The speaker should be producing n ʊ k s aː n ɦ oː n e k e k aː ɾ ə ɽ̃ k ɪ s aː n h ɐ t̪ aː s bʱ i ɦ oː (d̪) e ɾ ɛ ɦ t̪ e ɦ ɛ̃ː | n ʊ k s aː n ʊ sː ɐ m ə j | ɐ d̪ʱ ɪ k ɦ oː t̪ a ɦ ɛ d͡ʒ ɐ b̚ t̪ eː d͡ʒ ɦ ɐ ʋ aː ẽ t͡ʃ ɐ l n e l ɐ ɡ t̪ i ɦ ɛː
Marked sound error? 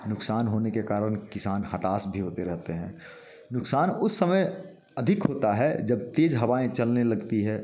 yes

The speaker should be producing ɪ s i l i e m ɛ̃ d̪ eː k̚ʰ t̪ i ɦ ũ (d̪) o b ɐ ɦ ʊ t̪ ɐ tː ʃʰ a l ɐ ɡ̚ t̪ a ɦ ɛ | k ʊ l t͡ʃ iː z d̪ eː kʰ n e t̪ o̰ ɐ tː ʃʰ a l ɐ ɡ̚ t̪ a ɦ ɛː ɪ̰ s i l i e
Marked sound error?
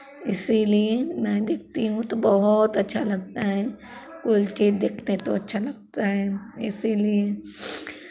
yes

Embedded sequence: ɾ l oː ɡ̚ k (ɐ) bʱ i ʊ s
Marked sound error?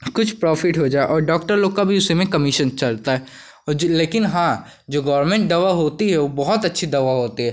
yes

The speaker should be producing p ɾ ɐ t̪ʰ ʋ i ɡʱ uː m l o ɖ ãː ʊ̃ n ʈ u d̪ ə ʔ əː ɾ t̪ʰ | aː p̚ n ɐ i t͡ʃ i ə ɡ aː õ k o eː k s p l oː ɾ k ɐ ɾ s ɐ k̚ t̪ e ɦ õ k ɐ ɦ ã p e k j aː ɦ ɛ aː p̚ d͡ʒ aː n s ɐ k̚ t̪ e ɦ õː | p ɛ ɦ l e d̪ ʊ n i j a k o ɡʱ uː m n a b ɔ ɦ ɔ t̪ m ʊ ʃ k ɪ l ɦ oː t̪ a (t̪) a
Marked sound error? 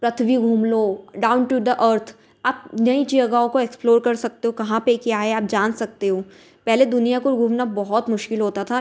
yes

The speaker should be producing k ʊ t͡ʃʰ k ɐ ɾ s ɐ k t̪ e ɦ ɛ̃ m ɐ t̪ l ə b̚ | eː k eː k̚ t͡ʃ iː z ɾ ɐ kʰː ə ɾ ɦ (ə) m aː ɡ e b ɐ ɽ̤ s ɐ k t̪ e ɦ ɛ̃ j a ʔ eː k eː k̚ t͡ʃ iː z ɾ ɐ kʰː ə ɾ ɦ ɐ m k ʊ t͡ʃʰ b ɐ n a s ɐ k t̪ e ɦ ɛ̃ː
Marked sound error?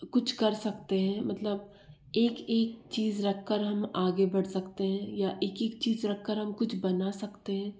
yes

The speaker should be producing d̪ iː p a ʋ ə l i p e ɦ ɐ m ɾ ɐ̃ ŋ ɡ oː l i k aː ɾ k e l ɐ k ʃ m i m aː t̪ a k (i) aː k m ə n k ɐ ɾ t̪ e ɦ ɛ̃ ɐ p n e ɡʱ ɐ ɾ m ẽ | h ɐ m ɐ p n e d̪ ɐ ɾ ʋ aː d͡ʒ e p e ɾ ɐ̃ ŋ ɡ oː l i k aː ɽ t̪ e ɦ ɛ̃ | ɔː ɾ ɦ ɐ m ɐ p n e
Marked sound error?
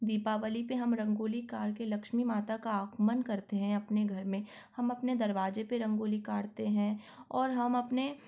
yes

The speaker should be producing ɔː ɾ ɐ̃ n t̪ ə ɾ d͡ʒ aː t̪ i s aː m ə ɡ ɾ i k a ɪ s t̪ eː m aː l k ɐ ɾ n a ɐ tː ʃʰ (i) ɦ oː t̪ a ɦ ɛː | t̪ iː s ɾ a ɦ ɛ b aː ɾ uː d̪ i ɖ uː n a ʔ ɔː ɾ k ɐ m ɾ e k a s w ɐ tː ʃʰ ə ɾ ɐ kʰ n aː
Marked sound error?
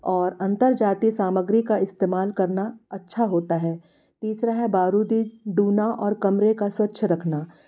yes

